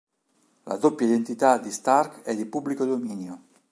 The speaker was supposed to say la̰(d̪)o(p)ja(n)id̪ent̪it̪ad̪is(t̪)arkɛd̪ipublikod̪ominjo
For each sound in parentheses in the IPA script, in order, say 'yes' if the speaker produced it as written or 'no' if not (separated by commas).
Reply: yes, yes, no, yes